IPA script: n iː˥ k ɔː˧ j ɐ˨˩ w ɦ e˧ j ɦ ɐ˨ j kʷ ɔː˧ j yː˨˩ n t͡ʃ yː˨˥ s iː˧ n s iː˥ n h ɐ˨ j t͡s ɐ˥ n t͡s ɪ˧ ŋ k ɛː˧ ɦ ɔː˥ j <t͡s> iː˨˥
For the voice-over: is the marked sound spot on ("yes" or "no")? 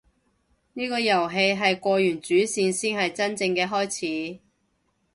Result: no